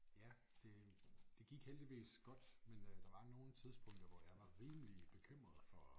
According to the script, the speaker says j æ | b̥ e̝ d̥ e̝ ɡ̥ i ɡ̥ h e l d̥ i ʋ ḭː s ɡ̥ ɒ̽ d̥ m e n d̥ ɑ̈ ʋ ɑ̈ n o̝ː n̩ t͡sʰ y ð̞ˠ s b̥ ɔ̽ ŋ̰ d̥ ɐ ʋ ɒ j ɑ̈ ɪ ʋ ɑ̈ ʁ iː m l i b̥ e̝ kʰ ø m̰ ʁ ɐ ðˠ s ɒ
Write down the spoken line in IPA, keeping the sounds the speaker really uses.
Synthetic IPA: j æ | d̥ e̝ d̥ e̝ ɡ̥ i ɡ̥ h e l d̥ i ʋ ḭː s ɡ̥ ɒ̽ d̥ m e n d̥ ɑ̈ ʋ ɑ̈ n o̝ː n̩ t͡sʰ i ð̞ˠ s b̥ ɔ̽ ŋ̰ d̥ ɐ ʋ ɒ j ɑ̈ ɪ ʋ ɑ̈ ʁ iː m l i b̥ e̝ kʰ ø m̰ ʁ ɐ ðˠ f ɒ